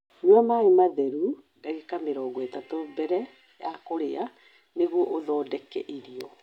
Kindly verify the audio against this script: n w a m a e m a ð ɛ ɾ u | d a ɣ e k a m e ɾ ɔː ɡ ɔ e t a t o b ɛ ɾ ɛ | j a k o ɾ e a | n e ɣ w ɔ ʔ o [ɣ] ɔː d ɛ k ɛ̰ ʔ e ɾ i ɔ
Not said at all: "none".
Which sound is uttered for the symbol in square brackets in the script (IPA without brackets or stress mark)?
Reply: ð